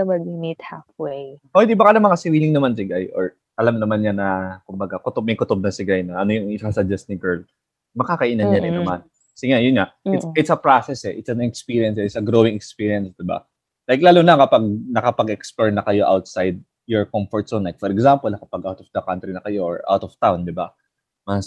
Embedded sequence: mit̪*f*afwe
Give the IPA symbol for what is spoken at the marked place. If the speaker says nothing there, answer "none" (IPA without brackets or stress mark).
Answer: h